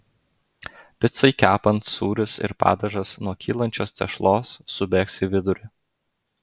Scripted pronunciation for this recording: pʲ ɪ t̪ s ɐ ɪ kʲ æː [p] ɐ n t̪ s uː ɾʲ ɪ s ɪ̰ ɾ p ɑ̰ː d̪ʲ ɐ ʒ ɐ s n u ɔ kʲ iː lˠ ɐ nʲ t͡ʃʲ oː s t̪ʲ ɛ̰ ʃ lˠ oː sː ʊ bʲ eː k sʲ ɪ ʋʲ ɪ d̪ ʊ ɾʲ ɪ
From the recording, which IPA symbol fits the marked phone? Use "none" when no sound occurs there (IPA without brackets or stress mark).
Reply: p